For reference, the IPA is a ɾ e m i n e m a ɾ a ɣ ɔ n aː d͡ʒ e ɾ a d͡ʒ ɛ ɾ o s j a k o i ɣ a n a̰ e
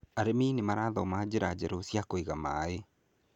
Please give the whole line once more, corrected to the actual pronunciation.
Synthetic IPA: a ɾ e m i n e m a ɾ a ð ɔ m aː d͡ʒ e ɾ a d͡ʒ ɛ ɾ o s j a k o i ɣ a m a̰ e